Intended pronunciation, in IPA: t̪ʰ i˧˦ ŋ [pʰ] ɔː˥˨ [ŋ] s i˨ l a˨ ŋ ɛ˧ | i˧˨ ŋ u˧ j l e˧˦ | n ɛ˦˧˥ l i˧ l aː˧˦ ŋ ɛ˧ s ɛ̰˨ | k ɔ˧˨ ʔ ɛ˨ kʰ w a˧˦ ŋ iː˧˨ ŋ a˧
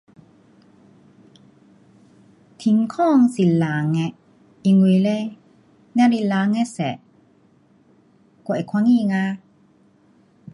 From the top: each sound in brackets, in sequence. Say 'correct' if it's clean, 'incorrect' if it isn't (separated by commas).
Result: incorrect, correct